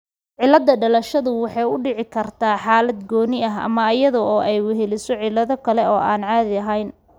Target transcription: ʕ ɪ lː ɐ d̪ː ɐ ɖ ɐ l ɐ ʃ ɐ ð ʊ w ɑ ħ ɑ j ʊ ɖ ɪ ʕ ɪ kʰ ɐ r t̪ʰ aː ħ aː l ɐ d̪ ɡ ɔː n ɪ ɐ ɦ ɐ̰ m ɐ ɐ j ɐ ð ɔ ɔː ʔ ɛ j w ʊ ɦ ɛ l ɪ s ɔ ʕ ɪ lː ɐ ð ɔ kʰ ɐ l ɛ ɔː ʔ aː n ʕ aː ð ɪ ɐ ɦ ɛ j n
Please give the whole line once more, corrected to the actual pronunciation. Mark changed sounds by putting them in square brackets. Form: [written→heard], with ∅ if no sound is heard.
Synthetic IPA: ʕ ɪ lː ɐ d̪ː ɐ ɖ ɐ l ɐ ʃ ɐ ð ʊ w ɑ ħ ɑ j ʊ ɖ ɪ ʕ ɪ kʰ ɐ r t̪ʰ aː ħ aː l ɐ d̪ ɡ ɔː n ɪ ɐ ɦ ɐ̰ m ɐ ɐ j ɐ ð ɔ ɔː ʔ ɛ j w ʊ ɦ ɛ l ɪ s ɔ ʕ ɪ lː ɐ ð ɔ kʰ ɐ l ɛ ɔː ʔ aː n ʕ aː ð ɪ ɐ ɦ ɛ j n